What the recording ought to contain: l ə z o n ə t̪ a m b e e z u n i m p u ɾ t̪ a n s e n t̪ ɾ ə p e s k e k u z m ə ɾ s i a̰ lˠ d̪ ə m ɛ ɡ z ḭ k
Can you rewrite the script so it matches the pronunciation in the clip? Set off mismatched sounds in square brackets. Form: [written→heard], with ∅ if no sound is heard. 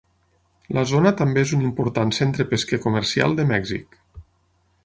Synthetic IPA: l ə z o n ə t̪ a m b e e z u n i m p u ɾ t̪ a n s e n t̪ ɾ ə p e s k e k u [z→∅] m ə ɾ s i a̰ lˠ d̪ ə m ɛ ɡ z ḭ k

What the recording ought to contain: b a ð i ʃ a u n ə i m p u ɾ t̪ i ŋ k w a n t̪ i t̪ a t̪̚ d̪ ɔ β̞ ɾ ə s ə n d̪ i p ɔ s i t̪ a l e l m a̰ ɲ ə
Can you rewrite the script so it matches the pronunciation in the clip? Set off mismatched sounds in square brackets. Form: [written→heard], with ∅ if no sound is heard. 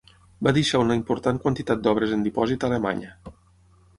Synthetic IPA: b a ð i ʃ a u n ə i m p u ɾ t̪ [i→a] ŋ k w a n t̪ i t̪ a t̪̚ d̪ ɔ β̞ ɾ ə [s→z] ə n d̪ i p ɔ [s→z] i t̪ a l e [l→∅] m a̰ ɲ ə

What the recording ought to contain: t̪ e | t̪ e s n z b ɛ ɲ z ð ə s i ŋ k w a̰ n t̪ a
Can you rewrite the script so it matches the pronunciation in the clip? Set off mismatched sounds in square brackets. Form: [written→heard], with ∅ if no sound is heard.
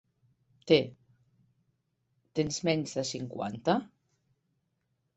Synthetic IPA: t̪ e | t̪ e [s→∅] n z [b→m] ɛ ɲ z ð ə s i ŋ k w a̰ n t̪ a

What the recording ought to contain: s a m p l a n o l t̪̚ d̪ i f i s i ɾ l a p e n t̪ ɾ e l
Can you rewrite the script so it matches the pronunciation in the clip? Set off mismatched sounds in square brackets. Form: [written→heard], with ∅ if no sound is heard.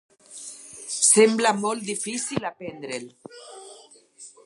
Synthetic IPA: s [a→e] m [p→b] l a [n→m] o l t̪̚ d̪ i f i s i [ɾ→∅] l a p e n [t̪→d̪] ɾ e l

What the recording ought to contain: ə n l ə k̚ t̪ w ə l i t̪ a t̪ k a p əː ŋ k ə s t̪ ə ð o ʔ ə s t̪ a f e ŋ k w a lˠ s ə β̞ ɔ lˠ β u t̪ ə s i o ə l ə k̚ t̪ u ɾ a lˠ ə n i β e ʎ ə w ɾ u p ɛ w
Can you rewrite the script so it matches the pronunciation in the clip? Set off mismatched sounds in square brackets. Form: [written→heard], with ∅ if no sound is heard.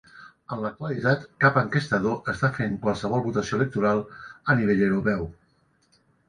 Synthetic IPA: ə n l ə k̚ t̪ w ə l i t̪ a t̪ k a p [əː→ə] ŋ k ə s t̪ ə ð o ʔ ə s t̪ a f e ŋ k w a lˠ s ə β̞ ɔ lˠ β u t̪ ə s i o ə l ə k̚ t̪ u ɾ a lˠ ə n i β e ʎ ə w ɾ u p ɛ w

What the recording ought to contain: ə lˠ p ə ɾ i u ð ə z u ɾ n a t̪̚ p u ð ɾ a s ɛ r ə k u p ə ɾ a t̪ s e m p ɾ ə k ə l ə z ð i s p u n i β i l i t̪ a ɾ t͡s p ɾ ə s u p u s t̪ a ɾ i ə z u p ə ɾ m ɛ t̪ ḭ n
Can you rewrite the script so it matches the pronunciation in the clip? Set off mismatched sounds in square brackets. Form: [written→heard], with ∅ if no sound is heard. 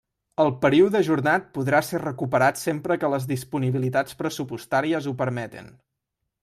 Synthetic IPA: ə lˠ p ə ɾ i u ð ə [z→ʒ] u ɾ n a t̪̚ p u ð ɾ a s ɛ r ə k u p ə ɾ a t̪ s e m p ɾ ə k ə l ə z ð i s p u n i β i l i t̪ a [ɾ→∅] t͡s p ɾ ə s u p u s t̪ a ɾ i ə z u p ə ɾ m ɛ t̪ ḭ n

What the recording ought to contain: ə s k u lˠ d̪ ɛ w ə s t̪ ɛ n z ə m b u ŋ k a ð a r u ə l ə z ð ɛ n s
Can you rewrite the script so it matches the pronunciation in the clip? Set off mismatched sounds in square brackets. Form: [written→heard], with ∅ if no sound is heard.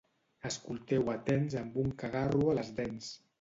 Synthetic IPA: ə s k u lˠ [d̪→t̪] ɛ w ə [s→∅] t̪ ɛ n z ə m b u ŋ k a [ð→ɣ] a r u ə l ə z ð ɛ n s

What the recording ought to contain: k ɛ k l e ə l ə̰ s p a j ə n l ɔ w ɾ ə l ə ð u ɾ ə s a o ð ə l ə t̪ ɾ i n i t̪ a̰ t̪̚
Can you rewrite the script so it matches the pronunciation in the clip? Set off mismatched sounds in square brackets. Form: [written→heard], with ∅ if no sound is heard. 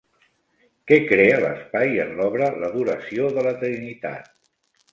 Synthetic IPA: k ɛ k [l→ɾ] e ə l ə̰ s p a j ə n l ɔ [w→β] ɾ ə l ə ð u ɾ ə s [a→i] o ð ə l ə t̪ ɾ i n i t̪ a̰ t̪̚

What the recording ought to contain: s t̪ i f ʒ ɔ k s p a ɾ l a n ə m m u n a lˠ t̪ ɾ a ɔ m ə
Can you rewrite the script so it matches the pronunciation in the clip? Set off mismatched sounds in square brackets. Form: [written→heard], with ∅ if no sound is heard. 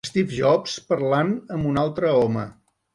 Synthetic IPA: s t̪ i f ʒ ɔ [k→p] s p [a→ə] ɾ l a n ə m [m→b] u n a lˠ t̪ ɾ [a→ə] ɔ m ə

